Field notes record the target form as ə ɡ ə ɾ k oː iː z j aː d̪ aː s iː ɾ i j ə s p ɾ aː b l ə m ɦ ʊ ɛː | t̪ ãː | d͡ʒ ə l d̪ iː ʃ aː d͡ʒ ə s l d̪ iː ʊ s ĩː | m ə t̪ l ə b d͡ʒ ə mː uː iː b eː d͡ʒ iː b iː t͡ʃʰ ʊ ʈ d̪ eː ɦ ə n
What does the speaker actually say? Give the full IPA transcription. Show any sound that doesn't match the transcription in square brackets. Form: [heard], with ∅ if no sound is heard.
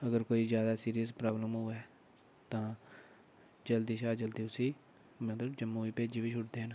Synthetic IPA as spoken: ə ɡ ə ɾ k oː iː z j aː d̪ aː s iː ɾ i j ə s p ɾ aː b l ə m ɦ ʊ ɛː | t̪ ãː | d͡ʒ ə l d̪ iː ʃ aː d͡ʒ ə [∅] l d̪ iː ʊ s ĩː | m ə t̪ l ə b d͡ʒ ə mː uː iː [p] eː d͡ʒ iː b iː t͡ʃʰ ʊ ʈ d̪ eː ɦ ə n